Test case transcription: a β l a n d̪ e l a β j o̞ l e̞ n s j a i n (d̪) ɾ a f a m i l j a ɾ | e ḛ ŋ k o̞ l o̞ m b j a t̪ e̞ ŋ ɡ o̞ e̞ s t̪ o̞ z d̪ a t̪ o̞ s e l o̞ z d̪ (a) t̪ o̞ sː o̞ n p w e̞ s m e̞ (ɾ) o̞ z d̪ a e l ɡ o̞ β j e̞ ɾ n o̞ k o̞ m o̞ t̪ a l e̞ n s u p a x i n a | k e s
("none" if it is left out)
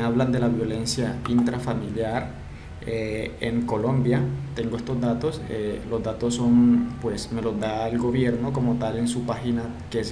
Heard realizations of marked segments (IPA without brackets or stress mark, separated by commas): t̪, a, l